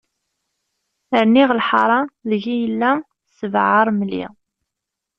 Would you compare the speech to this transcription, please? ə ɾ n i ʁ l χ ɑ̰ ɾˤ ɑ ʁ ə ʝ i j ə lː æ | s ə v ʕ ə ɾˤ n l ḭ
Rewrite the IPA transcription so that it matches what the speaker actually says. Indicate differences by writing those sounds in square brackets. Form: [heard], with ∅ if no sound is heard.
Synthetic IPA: ə ɾ n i ʁ l [ħ] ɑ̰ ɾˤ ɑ [ð] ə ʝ i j ə lː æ | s ə v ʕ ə ɾˤ [m] l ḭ